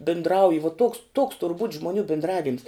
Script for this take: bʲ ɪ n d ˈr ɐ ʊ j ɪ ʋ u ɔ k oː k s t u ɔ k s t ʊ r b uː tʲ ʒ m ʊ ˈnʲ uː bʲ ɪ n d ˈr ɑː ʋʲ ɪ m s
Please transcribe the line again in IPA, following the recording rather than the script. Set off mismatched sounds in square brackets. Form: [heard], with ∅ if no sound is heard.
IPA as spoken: bʲ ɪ n d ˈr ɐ ʊ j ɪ ʋ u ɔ [t] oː k s t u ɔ k s t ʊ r b uː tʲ ʒ m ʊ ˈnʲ uː bʲ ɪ n d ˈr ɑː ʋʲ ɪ m s